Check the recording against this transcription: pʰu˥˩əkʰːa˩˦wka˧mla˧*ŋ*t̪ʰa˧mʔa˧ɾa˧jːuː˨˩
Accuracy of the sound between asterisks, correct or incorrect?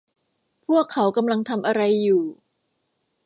correct